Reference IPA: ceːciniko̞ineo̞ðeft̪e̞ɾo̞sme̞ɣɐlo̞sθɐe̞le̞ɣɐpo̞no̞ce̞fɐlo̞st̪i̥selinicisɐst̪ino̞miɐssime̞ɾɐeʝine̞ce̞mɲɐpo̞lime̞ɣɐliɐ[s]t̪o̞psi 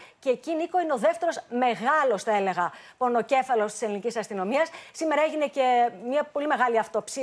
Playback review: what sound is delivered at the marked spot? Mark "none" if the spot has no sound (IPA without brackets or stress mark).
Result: f